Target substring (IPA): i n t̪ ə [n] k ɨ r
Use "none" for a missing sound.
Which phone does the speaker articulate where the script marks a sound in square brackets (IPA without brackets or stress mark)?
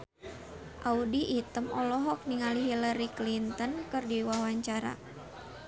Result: n